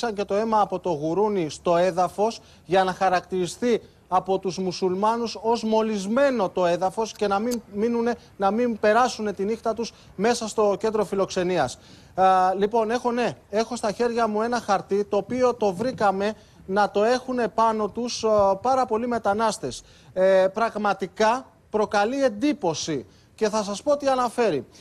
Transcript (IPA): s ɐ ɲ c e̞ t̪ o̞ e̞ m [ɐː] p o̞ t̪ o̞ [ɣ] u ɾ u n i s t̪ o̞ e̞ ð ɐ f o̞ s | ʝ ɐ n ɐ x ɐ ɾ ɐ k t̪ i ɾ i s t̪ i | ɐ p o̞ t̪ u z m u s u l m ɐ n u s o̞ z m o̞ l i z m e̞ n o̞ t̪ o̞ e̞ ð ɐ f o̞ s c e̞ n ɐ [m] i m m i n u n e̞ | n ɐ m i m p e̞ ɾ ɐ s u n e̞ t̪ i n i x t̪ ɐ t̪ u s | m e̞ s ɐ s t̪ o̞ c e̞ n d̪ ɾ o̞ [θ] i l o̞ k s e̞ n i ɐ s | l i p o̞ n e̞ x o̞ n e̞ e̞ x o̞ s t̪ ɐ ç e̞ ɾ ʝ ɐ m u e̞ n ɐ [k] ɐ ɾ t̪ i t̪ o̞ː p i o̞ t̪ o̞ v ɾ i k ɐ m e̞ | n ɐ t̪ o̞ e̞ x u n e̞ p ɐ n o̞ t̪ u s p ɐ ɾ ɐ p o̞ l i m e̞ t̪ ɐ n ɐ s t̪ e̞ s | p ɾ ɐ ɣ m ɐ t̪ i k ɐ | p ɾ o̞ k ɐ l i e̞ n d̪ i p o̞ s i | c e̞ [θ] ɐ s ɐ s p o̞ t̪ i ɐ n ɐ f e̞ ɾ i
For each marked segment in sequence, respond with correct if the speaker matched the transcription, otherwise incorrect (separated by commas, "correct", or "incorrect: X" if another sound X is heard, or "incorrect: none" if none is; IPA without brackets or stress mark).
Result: correct, correct, correct, incorrect: f, incorrect: x, correct